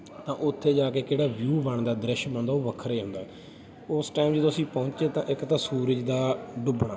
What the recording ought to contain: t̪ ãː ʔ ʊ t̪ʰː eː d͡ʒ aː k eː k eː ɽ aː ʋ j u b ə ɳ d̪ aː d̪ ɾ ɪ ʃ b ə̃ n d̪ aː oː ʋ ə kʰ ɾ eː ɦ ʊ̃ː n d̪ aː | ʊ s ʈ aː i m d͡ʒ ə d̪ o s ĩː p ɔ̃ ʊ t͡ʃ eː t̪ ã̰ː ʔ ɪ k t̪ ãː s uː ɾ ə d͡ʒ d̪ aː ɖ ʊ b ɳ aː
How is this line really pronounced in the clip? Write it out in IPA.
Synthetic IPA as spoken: t̪ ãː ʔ ʊ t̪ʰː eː d͡ʒ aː k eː k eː ɽ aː ʋ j uː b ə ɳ d̪ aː d̪ ɾ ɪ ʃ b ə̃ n d̪ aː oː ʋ ə kʰ ɾ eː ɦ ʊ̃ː n d̪ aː | ʊ s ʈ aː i m d͡ʒ ə d̪ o s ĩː p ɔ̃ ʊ t͡ʃ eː t̪ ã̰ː ʔ ɪ k t̪ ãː s uː ɾ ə d͡ʒ d̪ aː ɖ ʊ b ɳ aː